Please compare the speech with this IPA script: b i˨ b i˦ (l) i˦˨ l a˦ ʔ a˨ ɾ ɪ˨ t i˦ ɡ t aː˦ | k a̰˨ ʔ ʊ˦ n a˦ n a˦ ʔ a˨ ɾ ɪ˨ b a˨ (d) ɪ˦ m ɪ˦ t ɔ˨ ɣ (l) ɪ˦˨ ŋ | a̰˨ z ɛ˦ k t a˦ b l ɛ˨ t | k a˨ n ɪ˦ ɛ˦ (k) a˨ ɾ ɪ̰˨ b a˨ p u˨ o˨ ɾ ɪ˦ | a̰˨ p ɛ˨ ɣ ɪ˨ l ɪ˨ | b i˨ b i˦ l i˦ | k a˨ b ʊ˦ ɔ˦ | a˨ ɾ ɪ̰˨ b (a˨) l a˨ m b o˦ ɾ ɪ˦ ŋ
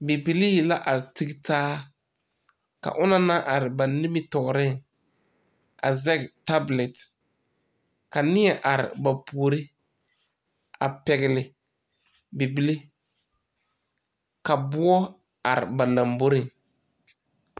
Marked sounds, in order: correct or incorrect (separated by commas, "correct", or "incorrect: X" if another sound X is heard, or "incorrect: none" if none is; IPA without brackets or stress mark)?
correct, incorrect: n, incorrect: ɾ, incorrect: ʔ, correct